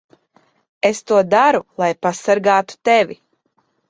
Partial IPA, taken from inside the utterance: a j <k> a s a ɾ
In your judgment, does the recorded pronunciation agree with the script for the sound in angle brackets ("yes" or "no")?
no